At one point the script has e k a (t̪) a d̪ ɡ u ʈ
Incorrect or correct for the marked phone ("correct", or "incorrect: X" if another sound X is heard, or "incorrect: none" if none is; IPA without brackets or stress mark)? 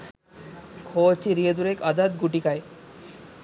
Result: incorrect: d̪